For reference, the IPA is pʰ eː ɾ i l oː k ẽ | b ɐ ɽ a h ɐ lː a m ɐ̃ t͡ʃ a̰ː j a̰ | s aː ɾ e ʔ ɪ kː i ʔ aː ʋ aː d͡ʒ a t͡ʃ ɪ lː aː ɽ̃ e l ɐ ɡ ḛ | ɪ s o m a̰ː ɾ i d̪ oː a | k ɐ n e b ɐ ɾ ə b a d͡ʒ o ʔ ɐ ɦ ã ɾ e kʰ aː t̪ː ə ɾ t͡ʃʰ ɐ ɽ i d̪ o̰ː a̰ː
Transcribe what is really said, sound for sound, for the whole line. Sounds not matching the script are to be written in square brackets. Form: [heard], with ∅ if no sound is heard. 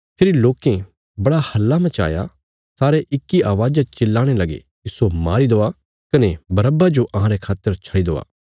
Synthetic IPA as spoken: pʰ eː ɾ i l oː k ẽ | b ɐ ɽ a h ɐ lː a m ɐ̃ t͡ʃ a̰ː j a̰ | s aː ɾ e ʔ ɪ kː i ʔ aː ʋ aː d͡ʒ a t͡ʃ ɪ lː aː ɽ̃ e l ɐ ɡ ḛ | ɪ s o m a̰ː ɾ i d̪ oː a | k ɐ n e b ɐ ɾ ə b a d͡ʒ o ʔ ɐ ɦ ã ɾ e kʰ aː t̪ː ə ɾ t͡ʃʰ ɐ ɽ i d̪ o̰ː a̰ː